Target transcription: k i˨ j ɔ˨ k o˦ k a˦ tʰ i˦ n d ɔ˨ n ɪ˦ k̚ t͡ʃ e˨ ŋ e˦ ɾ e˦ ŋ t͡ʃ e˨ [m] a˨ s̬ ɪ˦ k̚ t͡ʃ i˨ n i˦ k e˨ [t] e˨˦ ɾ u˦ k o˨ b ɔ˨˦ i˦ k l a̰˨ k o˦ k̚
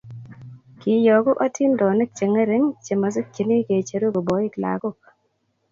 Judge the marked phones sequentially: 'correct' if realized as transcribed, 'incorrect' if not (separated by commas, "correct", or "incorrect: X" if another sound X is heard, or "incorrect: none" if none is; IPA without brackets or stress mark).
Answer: correct, incorrect: t͡ʃ